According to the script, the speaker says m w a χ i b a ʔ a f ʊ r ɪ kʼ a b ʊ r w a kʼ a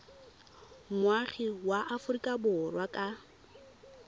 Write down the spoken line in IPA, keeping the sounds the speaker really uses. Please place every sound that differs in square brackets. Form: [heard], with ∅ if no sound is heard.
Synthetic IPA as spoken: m w a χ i [w] a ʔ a f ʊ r [i] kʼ a b ʊ r w a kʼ a

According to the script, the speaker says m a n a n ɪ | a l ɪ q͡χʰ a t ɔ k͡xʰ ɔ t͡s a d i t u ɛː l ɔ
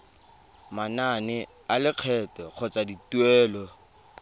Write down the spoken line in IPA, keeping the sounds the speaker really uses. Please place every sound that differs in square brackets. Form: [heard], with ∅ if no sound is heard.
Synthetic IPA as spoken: m a n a n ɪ | a l ɪ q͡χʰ [ɛ] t ɔ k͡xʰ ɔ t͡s a d i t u ɛː l ɔ

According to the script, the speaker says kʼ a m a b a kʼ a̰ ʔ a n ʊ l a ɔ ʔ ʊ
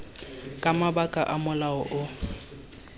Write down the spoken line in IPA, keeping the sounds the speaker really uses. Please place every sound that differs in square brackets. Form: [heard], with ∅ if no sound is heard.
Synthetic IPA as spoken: kʼ a m a b a kʼ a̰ ʔ a [m] ʊ l a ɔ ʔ ʊ

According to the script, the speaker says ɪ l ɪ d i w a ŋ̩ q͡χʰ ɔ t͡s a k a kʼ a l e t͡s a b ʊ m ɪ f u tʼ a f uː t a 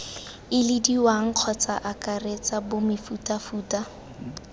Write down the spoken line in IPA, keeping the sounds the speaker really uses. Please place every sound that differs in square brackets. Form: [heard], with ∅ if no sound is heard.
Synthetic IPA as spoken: ɪ l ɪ d i w a ŋ̩ q͡χʰ ɔ t͡s a [ʔ] a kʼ a [r] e t͡s a b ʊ m ɪ f u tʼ a f uː t a

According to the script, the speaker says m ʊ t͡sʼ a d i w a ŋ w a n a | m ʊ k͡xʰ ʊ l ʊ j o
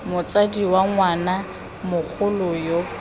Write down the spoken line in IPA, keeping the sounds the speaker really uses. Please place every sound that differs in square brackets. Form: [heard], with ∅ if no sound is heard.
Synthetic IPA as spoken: m ʊ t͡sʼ a d i w a ŋ w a n a | m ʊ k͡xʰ ʊ l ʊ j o

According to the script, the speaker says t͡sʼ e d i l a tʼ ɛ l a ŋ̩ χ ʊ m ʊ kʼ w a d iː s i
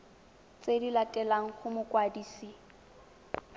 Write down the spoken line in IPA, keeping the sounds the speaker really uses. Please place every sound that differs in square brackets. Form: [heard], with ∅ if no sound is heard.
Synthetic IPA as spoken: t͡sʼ e d i l a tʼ ɛ l a ŋ̩ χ ʊ m ʊ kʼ w a d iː s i

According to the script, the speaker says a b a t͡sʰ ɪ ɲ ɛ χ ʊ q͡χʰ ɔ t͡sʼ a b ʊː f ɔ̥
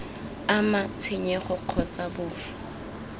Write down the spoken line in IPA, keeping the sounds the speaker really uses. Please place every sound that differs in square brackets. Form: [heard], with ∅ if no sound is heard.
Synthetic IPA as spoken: a [m] a t͡sʰ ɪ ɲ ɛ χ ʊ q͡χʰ ɔ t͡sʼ a b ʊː f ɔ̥

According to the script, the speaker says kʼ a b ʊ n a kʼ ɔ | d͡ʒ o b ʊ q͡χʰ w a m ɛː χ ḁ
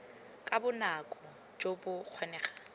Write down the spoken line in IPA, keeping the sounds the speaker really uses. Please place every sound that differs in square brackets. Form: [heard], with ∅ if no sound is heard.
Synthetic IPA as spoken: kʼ a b ʊ n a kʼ ɔ | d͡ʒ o b ʊ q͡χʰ w a [n] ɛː χ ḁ

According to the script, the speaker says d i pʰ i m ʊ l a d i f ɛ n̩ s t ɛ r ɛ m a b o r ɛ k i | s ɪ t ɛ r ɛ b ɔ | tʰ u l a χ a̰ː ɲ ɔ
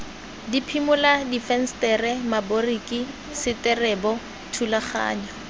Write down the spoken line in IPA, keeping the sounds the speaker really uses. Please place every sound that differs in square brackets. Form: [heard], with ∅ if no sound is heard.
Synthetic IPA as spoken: d i pʰ i m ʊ l a d i f ɛ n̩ s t ɛ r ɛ m a b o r [i] k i | s ɪ t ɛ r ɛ b ɔ | tʰ u l a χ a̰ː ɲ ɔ

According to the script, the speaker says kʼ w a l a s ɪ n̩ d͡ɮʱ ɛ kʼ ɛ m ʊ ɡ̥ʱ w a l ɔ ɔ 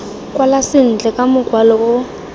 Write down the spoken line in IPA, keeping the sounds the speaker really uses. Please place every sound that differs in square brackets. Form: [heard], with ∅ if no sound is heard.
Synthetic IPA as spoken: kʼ w a l a s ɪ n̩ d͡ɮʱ ɛ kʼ [a] m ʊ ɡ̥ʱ w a l ɔ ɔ

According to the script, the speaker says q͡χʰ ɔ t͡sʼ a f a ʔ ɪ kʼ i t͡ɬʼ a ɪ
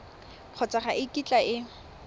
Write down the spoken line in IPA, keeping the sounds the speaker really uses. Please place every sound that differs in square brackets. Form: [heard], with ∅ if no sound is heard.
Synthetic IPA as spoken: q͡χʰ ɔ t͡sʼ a [χ] a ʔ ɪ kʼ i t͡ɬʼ a ɪ

